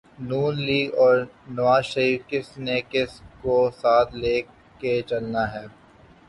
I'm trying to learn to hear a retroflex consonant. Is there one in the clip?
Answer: no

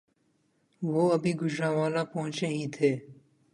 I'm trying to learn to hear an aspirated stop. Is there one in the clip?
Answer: yes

